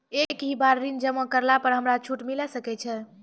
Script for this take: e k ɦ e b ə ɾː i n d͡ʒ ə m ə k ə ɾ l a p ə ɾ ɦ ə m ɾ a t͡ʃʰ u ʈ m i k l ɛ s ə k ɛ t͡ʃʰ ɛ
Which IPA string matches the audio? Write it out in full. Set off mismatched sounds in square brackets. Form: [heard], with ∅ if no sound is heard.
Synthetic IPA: e k ɦ [i] b [a] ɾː i n d͡ʒ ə m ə k ə ɾ l a p ə ɾ ɦ ə m ɾ a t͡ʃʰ u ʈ m i [∅] l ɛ s ə k ɛ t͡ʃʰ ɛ